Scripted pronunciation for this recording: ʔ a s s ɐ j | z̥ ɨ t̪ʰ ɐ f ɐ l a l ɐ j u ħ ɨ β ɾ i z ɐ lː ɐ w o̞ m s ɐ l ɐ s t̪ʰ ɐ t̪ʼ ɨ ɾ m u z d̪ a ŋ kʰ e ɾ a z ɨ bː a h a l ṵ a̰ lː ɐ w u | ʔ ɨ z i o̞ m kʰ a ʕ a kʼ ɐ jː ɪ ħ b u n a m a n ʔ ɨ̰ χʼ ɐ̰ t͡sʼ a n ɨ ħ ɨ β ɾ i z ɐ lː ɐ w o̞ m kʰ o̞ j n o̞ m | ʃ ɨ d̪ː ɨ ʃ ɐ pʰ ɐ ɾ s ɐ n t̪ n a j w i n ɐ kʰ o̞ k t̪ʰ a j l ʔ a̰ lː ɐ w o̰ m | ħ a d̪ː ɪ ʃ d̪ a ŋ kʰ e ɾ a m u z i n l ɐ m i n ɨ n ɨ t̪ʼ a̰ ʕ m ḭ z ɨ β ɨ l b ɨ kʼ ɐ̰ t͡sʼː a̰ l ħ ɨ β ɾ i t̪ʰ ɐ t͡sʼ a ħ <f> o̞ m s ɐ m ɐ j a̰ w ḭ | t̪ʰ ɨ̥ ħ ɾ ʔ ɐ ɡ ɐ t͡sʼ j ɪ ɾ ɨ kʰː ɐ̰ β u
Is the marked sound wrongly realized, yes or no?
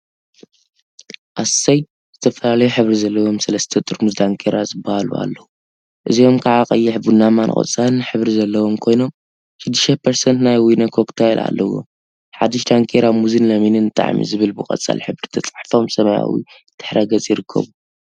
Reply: no